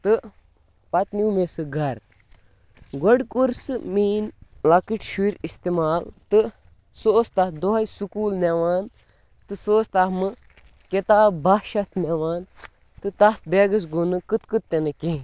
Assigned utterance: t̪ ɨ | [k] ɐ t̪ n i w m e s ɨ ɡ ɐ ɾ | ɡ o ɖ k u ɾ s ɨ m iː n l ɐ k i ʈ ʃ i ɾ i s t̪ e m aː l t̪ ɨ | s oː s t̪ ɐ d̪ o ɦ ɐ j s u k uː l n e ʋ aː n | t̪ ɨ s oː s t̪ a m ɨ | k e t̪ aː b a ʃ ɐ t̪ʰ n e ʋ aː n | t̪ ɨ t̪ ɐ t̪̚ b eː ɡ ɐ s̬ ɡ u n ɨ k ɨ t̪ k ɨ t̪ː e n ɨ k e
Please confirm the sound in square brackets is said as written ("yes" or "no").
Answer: no